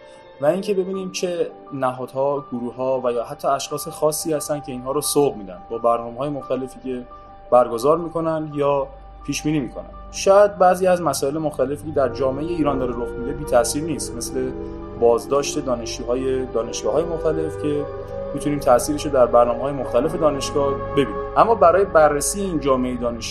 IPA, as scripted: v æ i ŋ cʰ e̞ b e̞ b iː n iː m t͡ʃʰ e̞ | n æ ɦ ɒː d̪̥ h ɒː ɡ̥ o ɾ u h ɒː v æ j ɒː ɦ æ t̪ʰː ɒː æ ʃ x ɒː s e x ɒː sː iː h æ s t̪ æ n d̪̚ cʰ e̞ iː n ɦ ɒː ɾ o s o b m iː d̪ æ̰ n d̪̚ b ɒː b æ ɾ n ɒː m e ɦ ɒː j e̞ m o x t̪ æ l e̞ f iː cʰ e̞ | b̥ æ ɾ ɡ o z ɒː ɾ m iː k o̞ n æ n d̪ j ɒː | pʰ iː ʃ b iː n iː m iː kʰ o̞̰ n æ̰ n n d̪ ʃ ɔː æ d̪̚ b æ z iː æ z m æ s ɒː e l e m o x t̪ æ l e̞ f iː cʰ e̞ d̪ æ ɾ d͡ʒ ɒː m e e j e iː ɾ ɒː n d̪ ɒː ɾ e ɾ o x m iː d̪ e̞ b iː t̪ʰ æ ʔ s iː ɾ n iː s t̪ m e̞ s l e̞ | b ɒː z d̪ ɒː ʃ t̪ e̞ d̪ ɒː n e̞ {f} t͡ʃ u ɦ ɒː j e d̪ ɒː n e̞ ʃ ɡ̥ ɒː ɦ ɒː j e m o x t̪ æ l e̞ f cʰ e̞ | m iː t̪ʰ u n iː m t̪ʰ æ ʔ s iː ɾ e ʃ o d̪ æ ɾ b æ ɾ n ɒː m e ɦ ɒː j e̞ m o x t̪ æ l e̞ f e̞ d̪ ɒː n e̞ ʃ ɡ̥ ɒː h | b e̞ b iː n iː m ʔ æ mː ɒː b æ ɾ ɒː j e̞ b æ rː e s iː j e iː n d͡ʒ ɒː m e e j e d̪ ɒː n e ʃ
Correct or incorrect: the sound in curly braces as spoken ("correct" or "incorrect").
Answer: incorrect